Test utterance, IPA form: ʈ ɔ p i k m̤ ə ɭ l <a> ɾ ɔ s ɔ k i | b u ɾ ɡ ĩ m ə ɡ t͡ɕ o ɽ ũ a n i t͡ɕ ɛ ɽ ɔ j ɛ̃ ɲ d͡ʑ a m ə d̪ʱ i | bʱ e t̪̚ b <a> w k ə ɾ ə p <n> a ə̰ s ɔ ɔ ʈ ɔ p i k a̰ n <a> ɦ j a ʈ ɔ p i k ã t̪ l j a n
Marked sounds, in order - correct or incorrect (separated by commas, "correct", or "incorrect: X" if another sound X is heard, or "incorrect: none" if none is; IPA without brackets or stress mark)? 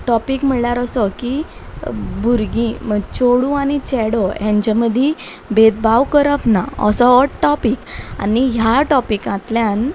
correct, correct, correct, incorrect: i